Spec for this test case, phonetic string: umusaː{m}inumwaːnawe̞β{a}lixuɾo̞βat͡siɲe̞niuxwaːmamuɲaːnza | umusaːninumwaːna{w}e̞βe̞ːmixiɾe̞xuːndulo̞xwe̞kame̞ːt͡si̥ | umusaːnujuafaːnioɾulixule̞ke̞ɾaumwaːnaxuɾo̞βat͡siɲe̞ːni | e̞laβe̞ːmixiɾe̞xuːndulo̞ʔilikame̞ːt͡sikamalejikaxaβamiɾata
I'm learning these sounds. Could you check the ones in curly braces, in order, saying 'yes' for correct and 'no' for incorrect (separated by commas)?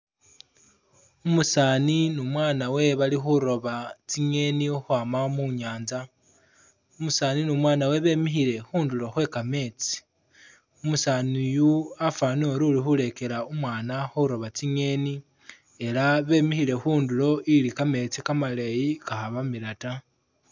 no, yes, yes